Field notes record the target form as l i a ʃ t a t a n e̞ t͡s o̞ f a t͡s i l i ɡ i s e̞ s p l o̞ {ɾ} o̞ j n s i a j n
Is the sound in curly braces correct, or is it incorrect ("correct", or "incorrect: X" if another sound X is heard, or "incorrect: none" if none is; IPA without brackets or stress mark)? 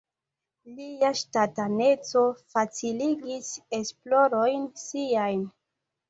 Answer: correct